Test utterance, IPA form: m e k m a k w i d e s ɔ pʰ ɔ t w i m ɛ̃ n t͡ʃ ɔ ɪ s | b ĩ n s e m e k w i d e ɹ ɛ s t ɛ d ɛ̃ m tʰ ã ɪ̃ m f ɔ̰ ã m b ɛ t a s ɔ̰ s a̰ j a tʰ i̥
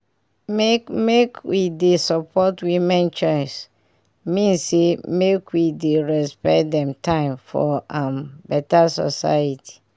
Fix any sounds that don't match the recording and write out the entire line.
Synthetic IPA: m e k m e k w i d e s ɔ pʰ ɔ t w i m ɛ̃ n t͡ʃ ɔ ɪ s | m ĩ n s e m e k w i d e ɹ ɛ s p ɛ d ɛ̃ m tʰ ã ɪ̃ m f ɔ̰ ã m b ɛ t a s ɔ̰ s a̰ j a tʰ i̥